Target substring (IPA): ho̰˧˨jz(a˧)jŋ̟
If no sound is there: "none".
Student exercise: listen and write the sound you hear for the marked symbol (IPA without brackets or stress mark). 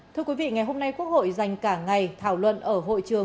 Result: a˨˩